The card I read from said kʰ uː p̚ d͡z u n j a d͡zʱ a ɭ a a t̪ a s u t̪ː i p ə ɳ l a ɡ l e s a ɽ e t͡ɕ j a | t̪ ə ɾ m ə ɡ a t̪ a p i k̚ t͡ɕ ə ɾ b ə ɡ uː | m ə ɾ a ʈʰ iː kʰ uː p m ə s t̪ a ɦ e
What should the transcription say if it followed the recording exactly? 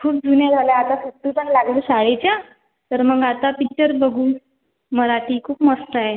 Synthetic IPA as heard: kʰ uː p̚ d͡z u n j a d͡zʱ a l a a t̪ a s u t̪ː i p ə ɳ l a ɡ l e s a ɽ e t͡ɕ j a | t̪ ə ɾ m ə ɡ a t̪ a p i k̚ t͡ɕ ə ɾ b ə ɡ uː | m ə ɾ a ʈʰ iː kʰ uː p m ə s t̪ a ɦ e

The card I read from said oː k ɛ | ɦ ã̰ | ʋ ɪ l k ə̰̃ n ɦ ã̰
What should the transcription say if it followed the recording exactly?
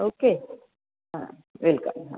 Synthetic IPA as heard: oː k e | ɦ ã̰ | ʋ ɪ l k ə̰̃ m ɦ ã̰

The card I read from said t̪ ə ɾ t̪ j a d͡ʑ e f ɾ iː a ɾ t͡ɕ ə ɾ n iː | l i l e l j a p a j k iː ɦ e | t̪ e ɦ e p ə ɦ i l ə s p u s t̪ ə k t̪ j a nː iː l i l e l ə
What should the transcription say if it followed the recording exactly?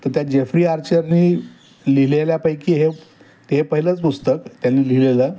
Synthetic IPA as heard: t̪ ə ɾ t̪ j a d͡ʑ e f ɾ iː a ɾ t͡ɕ ə ɾ n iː | l i l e l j a p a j k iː ɦ e | t̪ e ɦ e p ə ɦ i l ə t͡s p u s t̪ ə k t̪ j a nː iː l i l e l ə

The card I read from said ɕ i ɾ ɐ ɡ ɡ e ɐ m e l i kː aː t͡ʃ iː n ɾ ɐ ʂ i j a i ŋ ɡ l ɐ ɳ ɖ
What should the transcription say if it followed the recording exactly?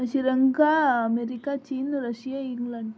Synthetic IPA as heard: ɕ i ɾ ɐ ŋ ɡ a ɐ m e ɾ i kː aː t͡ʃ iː n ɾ ɐ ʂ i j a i ŋ ɡ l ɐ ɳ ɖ

